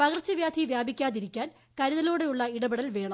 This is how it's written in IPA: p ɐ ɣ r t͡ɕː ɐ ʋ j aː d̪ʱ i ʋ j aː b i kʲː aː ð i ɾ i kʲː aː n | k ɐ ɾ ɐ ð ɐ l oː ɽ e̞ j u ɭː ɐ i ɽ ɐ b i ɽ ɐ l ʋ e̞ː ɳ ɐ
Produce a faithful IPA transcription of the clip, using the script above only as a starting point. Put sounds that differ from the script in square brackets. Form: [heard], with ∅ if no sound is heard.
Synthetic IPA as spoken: p ɐ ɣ r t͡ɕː ɐ ʋ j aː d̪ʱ i ʋ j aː b i kʲː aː ð i ɾ i kʲː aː n | k ɐ ɾ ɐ ð ɐ l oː ɽ e̞ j u ɭː ɐ i ɽ ɐ b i ɽ ɐ l ʋ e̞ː ɳ ɐ